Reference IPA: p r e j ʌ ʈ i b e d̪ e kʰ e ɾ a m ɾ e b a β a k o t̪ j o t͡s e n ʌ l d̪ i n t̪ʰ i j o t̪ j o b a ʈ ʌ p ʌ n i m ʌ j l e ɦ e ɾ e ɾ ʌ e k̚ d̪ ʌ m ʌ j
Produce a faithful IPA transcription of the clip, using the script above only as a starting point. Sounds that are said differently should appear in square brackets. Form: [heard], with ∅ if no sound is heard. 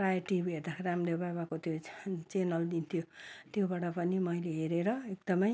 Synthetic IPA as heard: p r [a] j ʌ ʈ i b e d̪ [a] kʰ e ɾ a m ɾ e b a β a k o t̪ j o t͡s e n ʌ l d̪ i n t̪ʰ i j o t̪ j o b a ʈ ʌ p ʌ n i m ʌ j l e ɦ e ɾ e ɾ ʌ e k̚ d̪ ʌ m ʌ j

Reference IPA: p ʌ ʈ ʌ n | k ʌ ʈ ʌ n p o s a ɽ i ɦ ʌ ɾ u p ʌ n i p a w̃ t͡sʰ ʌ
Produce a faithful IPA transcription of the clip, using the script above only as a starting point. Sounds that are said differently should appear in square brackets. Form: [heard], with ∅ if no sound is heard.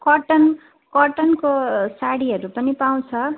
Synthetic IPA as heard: [k] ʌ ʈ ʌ n | k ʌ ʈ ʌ n [k] o s a ɽ i ɦ ʌ ɾ u p ʌ n i p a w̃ t͡sʰ ʌ

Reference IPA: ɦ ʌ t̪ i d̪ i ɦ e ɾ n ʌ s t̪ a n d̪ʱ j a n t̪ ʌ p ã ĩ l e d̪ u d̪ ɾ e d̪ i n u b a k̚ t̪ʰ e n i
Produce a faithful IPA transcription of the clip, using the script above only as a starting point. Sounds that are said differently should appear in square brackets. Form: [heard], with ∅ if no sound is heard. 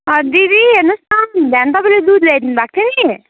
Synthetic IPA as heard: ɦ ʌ [d̪] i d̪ i ɦ e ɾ n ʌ s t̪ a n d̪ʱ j a n t̪ ʌ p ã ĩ l e d̪ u d̪ [l] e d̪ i n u b a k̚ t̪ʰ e n i

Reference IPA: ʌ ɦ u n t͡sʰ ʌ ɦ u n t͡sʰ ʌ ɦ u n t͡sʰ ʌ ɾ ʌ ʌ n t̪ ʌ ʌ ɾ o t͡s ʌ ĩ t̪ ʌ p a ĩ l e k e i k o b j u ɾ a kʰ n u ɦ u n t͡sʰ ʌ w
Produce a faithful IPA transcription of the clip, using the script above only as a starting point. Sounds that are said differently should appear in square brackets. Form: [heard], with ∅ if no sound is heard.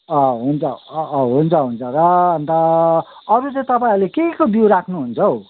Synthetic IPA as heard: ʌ ɦ u n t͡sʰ ʌ ɦ u n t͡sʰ ʌ ɦ u n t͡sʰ ʌ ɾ ʌ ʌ n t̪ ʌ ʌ ɾ [u] t͡s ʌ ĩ t̪ ʌ p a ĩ l e k e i k o b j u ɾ a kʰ n u ɦ u n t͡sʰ ʌ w

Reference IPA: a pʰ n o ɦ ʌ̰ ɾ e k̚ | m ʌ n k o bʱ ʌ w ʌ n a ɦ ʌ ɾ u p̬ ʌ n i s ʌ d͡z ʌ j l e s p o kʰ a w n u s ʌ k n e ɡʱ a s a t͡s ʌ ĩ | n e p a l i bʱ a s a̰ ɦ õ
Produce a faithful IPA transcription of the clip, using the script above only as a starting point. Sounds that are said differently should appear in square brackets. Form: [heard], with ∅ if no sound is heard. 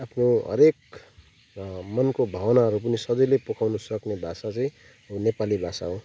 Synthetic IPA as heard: a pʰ n o ɦ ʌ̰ ɾ e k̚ | m ʌ n k o bʱ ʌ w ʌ n a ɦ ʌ ɾ u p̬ ʌ n i s ʌ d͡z ʌ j l e [∅] p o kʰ a w n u s ʌ k n e [bʱ] a s a t͡s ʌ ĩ | n e p a l i bʱ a s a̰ ɦ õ

